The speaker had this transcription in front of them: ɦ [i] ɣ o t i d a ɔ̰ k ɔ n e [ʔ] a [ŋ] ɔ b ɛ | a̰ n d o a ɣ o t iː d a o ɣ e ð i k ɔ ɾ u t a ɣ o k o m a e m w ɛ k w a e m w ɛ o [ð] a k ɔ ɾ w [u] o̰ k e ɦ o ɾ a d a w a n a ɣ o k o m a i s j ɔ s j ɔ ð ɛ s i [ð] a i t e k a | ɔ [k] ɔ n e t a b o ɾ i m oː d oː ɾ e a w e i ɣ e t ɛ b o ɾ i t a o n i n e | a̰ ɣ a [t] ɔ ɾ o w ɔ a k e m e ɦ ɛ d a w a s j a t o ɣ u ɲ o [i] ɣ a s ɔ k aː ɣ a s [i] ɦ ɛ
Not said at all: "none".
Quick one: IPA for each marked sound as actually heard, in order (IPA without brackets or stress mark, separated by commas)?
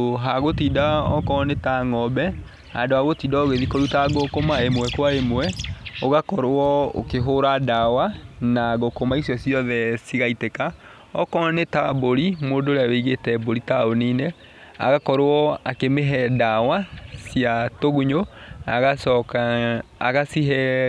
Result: a, t, ŋ, ɣ, ɔ, ɣ, k, k, a, i